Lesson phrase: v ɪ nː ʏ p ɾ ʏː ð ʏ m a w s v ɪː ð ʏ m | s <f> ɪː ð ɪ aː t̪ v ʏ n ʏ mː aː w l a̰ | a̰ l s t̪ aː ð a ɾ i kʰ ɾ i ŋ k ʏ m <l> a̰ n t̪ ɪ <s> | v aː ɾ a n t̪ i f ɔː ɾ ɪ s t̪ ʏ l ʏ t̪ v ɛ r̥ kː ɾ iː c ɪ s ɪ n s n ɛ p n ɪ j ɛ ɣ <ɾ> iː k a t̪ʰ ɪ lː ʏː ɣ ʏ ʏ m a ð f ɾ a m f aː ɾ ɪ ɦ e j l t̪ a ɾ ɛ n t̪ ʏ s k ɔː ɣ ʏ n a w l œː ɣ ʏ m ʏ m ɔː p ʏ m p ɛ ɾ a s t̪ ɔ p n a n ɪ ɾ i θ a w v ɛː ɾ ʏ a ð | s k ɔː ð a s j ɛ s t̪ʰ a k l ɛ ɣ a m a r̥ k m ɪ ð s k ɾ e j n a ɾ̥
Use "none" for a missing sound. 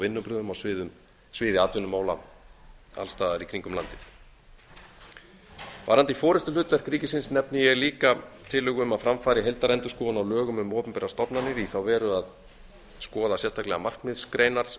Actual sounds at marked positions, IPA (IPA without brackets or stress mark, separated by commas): v, l, θ, l